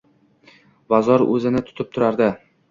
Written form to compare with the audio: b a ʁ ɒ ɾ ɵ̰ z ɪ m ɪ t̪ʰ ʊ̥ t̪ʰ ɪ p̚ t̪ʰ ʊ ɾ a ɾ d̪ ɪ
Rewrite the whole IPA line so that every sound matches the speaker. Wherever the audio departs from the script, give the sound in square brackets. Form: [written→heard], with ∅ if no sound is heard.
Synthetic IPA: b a [ʁ→z] ɒ ɾ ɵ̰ z ɪ [m→n] ɪ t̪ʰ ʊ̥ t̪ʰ ɪ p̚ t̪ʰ ʊ ɾ a ɾ d̪ ɪ